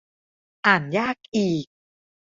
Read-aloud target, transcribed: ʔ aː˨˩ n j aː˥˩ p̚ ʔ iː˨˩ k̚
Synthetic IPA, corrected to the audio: ʔ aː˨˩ n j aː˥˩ k̚ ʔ iː˨˩ k̚